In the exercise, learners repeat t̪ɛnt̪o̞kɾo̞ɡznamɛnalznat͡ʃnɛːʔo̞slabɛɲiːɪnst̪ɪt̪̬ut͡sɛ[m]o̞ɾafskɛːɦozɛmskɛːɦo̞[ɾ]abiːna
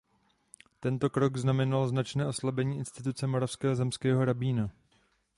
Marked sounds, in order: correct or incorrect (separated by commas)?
correct, correct